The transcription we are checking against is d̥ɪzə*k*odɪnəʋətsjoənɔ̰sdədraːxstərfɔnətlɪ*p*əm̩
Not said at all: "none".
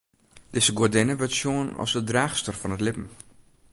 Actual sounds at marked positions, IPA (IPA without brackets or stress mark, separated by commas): ɡ, p